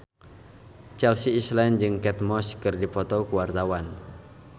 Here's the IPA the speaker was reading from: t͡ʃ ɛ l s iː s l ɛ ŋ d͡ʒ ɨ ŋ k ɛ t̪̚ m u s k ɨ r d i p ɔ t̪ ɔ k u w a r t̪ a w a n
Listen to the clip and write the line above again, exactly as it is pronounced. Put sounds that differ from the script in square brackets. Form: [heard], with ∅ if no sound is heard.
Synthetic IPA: t͡ʃ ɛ l s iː s l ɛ [n] d͡ʒ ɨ ŋ k ɛ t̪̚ m [ɔ] s k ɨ r d i p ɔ t̪ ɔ k u w a r t̪ a w a n